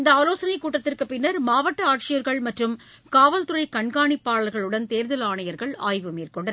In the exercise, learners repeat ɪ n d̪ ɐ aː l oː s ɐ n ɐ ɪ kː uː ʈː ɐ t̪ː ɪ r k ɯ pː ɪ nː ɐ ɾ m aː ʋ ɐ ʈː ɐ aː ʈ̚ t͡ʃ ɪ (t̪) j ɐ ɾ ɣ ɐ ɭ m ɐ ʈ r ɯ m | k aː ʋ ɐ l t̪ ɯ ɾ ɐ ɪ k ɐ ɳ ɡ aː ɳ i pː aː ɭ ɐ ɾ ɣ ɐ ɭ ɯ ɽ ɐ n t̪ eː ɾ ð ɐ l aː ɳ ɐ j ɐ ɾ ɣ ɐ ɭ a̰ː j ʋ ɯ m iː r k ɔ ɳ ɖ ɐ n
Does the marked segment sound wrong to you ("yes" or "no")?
yes